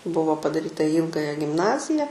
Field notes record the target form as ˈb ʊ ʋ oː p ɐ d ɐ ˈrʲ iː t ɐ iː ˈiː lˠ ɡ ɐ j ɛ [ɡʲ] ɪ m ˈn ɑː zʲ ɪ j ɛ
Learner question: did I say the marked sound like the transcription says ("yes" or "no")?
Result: yes